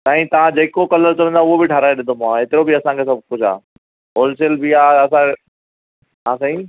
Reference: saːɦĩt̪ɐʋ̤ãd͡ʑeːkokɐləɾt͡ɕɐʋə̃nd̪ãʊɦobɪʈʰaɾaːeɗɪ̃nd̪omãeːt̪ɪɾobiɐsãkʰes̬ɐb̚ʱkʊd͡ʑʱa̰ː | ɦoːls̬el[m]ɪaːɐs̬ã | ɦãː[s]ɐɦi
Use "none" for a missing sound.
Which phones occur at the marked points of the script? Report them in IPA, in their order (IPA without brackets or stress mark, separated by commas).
b, s